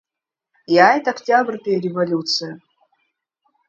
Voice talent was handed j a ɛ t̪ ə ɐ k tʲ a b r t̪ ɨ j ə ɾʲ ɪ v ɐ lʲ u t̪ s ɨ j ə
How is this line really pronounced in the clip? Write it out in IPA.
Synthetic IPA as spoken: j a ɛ t̪ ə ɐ k tʲ a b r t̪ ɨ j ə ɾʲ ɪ v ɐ lʲ u t̪ s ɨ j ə